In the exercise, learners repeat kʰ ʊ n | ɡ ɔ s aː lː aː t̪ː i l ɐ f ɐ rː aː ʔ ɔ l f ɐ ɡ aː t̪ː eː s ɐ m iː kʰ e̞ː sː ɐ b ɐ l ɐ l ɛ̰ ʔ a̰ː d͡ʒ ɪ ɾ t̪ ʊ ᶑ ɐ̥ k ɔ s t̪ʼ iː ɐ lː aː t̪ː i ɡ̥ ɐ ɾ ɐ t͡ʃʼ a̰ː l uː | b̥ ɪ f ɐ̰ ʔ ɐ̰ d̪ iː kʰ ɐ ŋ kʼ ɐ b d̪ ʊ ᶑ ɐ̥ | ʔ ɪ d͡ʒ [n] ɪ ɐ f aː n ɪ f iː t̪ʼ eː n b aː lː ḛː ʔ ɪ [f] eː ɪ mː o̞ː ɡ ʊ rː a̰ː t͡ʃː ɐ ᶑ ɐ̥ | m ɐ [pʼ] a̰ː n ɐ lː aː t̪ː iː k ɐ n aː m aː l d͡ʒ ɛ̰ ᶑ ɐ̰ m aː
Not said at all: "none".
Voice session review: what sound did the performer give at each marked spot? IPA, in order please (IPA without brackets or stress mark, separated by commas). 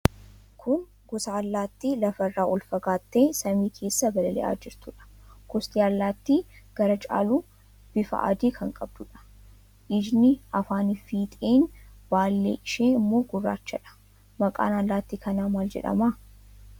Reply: n, ʃ, kʼ